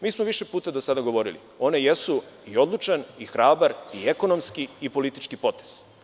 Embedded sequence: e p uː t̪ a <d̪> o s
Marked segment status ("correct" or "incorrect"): correct